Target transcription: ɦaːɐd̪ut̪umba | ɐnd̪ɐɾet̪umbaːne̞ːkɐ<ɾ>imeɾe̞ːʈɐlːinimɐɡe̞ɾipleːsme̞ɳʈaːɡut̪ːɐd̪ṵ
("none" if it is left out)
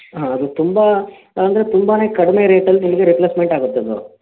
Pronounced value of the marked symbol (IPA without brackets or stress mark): ɽ